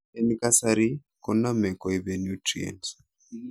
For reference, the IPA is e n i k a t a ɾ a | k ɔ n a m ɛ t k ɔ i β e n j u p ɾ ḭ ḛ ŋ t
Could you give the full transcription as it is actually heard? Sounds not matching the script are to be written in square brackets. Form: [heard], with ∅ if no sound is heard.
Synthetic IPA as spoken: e n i k a [s] a ɾ [i] | k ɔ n a m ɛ [∅] k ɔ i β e n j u [t] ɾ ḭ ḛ [n] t